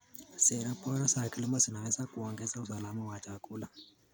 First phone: s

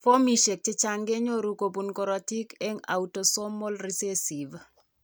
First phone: f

